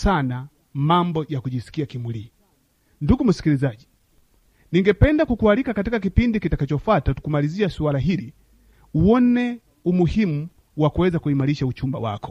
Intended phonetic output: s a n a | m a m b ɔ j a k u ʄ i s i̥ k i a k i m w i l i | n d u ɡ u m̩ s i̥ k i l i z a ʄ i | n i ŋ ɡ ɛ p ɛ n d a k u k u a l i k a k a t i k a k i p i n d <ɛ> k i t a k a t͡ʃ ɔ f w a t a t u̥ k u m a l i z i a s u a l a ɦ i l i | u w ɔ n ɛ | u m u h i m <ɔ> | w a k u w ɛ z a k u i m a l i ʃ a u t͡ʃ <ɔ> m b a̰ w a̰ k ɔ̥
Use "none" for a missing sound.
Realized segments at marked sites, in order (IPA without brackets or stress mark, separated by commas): i, u, u